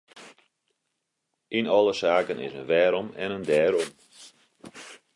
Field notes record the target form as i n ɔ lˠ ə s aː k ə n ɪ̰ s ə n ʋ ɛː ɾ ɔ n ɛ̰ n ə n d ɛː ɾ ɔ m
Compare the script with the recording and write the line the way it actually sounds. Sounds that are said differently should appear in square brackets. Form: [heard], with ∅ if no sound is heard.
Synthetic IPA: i n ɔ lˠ ə s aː k ə n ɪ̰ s ə n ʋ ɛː ɾ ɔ [m] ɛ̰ n ə n d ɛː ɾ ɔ m